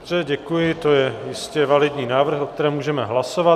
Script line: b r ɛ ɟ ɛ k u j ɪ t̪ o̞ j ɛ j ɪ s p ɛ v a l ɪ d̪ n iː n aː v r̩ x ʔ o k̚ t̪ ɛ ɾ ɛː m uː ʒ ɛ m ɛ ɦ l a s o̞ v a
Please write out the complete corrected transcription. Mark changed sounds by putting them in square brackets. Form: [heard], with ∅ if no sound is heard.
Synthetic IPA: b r ɛ ɟ ɛ k u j ɪ t̪ o̞ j ɛ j ɪ s [c] ɛ v a l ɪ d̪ [ɲ] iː n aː v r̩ x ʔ o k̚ t̪ ɛ ɾ ɛː m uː ʒ ɛ m ɛ ɦ l a s o̞ v a

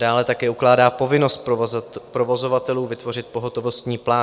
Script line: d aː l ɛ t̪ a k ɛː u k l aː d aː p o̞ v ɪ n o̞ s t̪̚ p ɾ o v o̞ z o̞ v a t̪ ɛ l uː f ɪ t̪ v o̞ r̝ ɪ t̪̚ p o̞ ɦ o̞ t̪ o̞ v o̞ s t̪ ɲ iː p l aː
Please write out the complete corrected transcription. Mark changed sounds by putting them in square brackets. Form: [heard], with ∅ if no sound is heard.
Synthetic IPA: d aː l ɛ t̪ a k ɛː u k l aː d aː p o̞ v ɪ n o̞ s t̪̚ p ɾ o v o̞ z o̞ v a t̪ ɛ l uː [v] ɪ t̪ v o̞ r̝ ɪ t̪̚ p o̞ ɦ o̞ t̪ o̞ v o̞ s t̪ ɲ iː p l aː

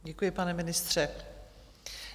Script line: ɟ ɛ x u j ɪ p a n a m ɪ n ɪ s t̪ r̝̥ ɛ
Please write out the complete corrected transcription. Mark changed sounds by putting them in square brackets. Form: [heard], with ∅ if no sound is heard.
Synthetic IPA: ɟ ɛ [k] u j ɪ p a n [ɛ] m ɪ n ɪ s t̪ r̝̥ ɛ

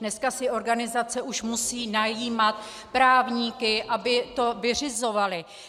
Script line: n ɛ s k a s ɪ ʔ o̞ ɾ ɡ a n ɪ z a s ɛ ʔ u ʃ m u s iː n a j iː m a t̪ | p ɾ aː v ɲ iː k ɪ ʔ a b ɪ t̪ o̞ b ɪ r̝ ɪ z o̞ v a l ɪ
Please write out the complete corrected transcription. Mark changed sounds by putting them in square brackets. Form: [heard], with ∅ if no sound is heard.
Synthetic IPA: n ɛ s k a s ɪ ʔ o̞ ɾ ɡ a n ɪ z a [t͡s] ɛ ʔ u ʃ m u s iː n a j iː m a t̪ | p ɾ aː v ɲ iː k ɪ ʔ a b ɪ t̪ o̞ [v] ɪ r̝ ɪ z o̞ v a l ɪ

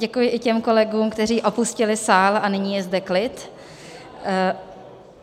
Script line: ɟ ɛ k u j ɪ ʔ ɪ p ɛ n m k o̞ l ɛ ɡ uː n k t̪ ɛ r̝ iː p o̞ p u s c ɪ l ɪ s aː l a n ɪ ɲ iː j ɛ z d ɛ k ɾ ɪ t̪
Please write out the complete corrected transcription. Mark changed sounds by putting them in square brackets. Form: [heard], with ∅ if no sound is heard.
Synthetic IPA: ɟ ɛ k u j ɪ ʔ ɪ [c] ɛ [∅] m k o̞ l ɛ ɡ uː [m] k t̪ ɛ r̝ iː [ʔ] o̞ p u s c ɪ l ɪ s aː l a n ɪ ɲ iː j ɛ z d ɛ k [l] ɪ t̪

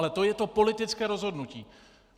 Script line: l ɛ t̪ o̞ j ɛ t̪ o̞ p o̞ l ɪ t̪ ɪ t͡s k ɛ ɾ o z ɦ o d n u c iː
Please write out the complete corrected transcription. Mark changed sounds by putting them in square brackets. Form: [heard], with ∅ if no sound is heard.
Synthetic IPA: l ɛ t̪ o̞ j ɛ t̪ o̞ p o̞ l ɪ t̪ ɪ t͡s k [ɛː] ɾ o z ɦ o d n u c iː

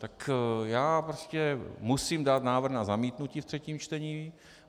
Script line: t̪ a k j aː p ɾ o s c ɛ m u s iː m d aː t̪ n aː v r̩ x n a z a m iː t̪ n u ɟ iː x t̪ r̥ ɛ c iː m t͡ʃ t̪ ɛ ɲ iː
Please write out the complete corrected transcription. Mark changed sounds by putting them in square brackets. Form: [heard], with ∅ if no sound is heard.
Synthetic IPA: t̪ a k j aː p ɾ o s c ɛ m u s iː m d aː t̪ n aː v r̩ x n a z a m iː t̪ n u [c] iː [f] t̪ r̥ ɛ c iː m t͡ʃ t̪ ɛ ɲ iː

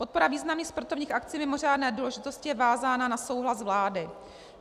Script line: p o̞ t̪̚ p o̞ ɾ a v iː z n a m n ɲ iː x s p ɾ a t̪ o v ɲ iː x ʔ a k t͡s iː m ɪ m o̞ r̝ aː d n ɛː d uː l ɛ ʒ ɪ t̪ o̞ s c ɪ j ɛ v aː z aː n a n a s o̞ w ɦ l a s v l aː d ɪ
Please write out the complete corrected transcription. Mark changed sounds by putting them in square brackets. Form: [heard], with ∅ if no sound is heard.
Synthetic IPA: p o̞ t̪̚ p o̞ ɾ a v iː z n a m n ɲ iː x s p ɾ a t̪ o v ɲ iː x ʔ a k t͡s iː m ɪ m o̞ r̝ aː d n ɛː d uː l ɛ ʒ ɪ t̪ o̞ s c ɪ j ɛ v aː z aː n a n a s o̞ w ɦ l a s v l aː d ɪ

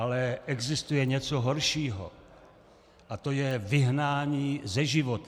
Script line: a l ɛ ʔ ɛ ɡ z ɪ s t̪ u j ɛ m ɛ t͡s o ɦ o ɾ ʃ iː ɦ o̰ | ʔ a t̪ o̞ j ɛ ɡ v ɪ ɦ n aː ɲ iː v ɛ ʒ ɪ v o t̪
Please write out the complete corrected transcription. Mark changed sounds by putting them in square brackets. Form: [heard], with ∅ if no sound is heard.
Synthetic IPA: a l ɛ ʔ ɛ ɡ z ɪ s t̪ u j ɛ [ɲ] ɛ t͡s o ɦ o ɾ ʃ iː ɦ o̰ | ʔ a t̪ o̞ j ɛ [∅] v ɪ ɦ n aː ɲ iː [z] ɛ ʒ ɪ v o t̪

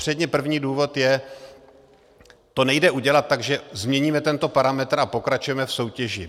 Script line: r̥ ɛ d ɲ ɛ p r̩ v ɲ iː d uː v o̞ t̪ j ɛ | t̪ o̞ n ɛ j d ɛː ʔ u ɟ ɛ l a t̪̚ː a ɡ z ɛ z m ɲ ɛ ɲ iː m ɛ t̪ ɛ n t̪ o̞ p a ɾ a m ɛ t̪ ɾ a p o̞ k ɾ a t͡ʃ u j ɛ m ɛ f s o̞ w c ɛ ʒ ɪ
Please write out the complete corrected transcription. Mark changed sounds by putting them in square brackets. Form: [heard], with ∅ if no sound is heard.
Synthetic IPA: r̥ ɛ d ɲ ɛ p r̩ v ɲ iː d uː v o̞ t̪ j ɛ | t̪ o̞ n ɛ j d [ɛ] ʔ u ɟ ɛ l a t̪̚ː a ɡ [ʒ] ɛ z m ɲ ɛ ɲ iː m ɛ t̪ ɛ n t̪ o̞ p a ɾ a m ɛ t̪ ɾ a p o̞ k ɾ a t͡ʃ u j ɛ m ɛ f s o̞ w c ɛ ʒ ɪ

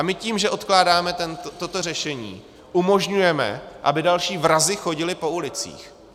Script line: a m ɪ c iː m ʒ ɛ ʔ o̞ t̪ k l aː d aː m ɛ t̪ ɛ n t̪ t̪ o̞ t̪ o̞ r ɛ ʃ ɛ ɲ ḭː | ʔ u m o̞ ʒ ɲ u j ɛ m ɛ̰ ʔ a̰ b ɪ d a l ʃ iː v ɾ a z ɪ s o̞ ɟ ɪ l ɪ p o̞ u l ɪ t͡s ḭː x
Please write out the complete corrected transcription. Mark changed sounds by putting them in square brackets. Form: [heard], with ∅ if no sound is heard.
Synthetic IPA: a m ɪ c iː m ʒ ɛ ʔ o̞ t̪ k l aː d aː m ɛ t̪ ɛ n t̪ t̪ o̞ t̪ o̞ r ɛ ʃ ɛ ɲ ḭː | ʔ u m o̞ ʒ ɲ u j ɛ m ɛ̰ ʔ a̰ b ɪ d a l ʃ iː v ɾ a z ɪ [x] o̞ ɟ ɪ l ɪ p o̞ u l ɪ t͡s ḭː x

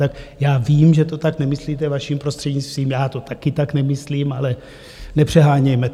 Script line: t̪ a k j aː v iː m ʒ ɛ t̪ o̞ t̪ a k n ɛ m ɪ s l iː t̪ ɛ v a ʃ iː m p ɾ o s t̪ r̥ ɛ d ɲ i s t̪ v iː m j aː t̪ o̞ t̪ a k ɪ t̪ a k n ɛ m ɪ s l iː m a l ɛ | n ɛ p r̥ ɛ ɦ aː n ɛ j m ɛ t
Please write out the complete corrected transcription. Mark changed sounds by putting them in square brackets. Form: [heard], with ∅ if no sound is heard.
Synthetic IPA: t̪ a k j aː v iː m ʒ ɛ t̪ o̞ t̪ a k n ɛ m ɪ s l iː t̪ ɛ v a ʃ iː m p ɾ o s t̪ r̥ ɛ d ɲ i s t̪ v iː m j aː t̪ o̞ t̪ a k ɪ t̪ a k n ɛ m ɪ s l iː m a l ɛ | n ɛ p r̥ ɛ ɦ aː [ɲ] ɛ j m ɛ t

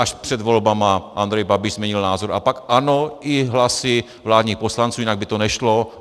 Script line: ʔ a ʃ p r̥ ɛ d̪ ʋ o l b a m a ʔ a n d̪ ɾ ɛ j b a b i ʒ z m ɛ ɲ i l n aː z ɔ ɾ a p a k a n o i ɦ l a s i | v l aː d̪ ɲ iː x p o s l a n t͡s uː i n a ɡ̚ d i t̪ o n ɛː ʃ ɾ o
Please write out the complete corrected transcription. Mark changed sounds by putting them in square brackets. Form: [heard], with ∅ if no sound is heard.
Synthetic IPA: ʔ a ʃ p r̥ ɛ d̪ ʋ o l b a m a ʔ a n d̪ ɾ ɛ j b a b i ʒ z m ɛ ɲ i l n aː z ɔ ɾ a p a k a n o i ɦ l a s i | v l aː d̪ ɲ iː x p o s l a n t͡s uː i n a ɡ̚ [b] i t̪ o n [ɛ] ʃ [l] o

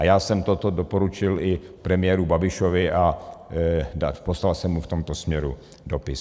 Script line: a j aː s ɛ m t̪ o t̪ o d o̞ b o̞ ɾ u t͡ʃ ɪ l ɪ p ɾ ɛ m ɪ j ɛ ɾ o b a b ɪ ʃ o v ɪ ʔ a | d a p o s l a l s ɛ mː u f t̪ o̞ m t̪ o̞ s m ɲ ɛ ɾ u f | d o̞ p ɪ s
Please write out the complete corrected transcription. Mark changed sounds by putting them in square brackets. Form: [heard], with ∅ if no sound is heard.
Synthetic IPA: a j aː s ɛ m t̪ o t̪ o d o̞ [p] o̞ ɾ u t͡ʃ ɪ l ɪ p ɾ ɛ m ɪ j ɛ ɾ [u] b a b ɪ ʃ o v ɪ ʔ a | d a p o s l a l s ɛ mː u f t̪ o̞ m t̪ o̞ s m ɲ ɛ ɾ u [∅] | d o̞ p ɪ s

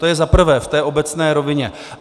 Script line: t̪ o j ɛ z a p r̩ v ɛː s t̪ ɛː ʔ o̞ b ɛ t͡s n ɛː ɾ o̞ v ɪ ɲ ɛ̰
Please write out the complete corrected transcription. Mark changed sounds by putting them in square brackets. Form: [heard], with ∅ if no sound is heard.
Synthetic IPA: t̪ o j ɛ z a p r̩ v ɛː [f] t̪ ɛː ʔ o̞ b ɛ t͡s n ɛː ɾ o̞ v ɪ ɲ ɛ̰

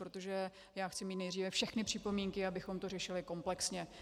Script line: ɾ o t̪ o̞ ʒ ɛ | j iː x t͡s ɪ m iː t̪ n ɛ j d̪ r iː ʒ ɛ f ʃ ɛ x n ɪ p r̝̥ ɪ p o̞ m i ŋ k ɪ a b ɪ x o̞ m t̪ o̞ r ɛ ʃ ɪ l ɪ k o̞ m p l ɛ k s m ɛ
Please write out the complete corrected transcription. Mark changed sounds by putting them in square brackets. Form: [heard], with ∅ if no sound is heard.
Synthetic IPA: ɾ o t̪ o̞ ʒ ɛ | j [aː] x t͡s ɪ m iː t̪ n ɛ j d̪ r iː [v] ɛ f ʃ ɛ x n ɪ p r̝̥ ɪ p o̞ m i ŋ k ɪ a b ɪ x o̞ m t̪ o̞ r ɛ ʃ ɪ l ɪ k o̞ m p l ɛ k s [ɲ] ɛ

